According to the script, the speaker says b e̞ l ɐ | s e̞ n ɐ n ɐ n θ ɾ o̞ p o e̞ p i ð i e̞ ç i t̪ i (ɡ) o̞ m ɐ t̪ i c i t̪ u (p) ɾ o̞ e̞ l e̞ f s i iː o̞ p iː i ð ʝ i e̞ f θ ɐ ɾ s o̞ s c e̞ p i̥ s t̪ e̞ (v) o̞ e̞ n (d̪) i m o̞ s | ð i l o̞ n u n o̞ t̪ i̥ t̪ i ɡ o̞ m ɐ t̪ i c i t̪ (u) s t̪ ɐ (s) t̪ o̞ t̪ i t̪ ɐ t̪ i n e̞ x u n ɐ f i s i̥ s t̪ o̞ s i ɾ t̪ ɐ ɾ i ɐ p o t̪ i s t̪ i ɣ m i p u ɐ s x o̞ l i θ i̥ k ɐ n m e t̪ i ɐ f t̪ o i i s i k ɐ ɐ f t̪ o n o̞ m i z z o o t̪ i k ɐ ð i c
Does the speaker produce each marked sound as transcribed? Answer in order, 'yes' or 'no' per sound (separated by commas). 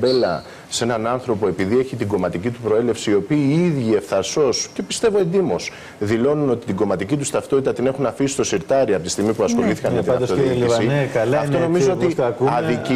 yes, yes, yes, yes, yes, no